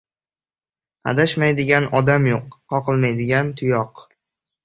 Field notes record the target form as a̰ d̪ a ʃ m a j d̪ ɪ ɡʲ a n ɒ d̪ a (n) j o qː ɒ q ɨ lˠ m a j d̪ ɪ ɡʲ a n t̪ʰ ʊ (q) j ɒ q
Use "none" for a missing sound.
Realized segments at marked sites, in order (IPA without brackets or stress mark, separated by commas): m, none